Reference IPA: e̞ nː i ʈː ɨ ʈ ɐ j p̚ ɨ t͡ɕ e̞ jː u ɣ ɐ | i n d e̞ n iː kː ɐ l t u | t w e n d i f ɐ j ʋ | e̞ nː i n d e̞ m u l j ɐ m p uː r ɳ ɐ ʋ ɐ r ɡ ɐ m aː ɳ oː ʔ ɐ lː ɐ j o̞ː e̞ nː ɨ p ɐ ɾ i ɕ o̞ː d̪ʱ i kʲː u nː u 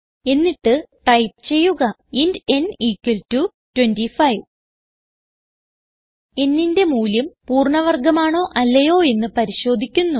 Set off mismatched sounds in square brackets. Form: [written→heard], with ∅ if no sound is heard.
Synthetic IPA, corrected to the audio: e̞ nː i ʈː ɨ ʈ ɐ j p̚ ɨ t͡ɕ e̞ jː u ɣ ɐ | i n d e̞ n iː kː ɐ l t u | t w e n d i f ɐ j ʋ | e̞ nː i n d e̞ m [u→uː] l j ɐ m p uː r ɳ ɐ ʋ ɐ r ɡ ɐ m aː ɳ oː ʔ ɐ lː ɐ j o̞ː e̞ nː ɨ p ɐ ɾ i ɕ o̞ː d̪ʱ i kʲː u nː u

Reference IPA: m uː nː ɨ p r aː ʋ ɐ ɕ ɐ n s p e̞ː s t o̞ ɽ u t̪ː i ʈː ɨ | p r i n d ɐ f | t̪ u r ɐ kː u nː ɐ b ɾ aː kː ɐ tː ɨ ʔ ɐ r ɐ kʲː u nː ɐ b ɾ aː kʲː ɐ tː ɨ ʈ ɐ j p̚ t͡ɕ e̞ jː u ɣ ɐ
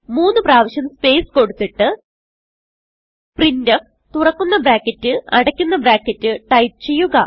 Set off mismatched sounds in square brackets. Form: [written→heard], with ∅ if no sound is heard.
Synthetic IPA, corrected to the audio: m uː nː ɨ p r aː ʋ ɐ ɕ ɐ n s p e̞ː s [t→k] o̞ ɽ u t̪ː i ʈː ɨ | p r i n d ɐ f | t̪ u r ɐ kː u nː ɐ b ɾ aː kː ɐ tː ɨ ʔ ɐ [r→ɽ] ɐ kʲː u nː ɐ b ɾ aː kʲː ɐ tː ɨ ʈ ɐ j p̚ t͡ɕ e̞ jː u ɣ ɐ

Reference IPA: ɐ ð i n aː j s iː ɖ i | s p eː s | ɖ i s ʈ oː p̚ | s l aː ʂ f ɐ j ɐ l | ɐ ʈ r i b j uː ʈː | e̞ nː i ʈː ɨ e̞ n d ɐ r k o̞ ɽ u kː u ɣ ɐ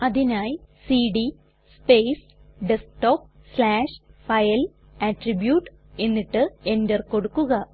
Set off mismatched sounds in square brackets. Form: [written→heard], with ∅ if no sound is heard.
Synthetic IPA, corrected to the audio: ɐ ð i n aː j s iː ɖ i | s p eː s | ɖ [i→e] s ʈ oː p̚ | s l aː ʂ f ɐ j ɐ l | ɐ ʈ r i b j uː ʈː | e̞ nː i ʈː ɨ e̞ n d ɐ r k o̞ ɽ u kː u ɣ ɐ

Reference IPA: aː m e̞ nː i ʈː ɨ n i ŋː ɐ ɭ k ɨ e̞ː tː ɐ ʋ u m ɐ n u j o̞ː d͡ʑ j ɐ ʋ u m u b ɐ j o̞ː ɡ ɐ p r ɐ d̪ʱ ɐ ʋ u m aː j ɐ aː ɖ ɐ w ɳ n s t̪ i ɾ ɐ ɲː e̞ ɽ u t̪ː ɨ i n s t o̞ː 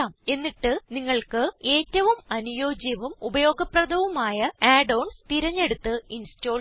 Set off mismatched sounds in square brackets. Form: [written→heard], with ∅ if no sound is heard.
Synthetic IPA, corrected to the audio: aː m e̞ nː i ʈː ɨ n i ŋː ɐ ɭ k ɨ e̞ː tː ɐ ʋ u m ɐ n u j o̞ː d͡ʑ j ɐ ʋ u m u b ɐ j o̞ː ɡ ɐ p r ɐ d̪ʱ ɐ ʋ u m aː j ɐ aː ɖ ɐ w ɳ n s t̪ i ɾ ɐ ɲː e̞ ɽ u t̪ː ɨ i n s t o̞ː

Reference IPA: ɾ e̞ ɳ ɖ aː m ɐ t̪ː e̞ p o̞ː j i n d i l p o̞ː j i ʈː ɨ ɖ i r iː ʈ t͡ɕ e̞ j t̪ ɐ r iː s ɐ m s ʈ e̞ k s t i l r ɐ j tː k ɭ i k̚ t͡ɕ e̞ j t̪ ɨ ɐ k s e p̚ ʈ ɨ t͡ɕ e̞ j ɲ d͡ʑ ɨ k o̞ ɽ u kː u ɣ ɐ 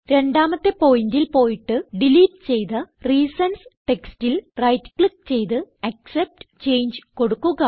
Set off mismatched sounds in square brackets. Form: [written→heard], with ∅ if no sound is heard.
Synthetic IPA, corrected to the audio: ɾ e̞ ɳ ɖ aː m ɐ t̪ː e̞ p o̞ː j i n d i l p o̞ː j i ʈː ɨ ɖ i [r→l] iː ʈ t͡ɕ e̞ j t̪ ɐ r iː s ɐ [m→n] s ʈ e̞ k s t i l r ɐ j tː k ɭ i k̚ t͡ɕ e̞ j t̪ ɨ ɐ k s e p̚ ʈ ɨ t͡ɕ e̞ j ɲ d͡ʑ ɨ k o̞ ɽ u kː u ɣ ɐ

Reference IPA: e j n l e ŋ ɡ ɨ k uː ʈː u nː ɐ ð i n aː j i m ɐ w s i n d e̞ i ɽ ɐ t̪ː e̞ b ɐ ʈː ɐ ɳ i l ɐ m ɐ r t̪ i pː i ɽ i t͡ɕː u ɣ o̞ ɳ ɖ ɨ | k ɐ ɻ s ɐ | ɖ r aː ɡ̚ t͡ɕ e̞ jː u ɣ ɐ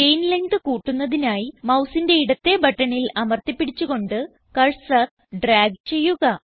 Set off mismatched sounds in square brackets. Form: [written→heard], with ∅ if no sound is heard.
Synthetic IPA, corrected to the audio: e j n l e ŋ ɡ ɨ k uː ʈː u nː ɐ ð i n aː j i m ɐ w s i n d e̞ i ɽ ɐ t̪ː e̞ b ɐ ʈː ɐ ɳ i l ɐ m ɐ r t̪ i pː i ɽ i t͡ɕː u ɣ o̞ ɳ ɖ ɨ | k ɐ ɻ s ɐ | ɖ r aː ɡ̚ t͡ɕ e̞ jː u ɣ ɐ

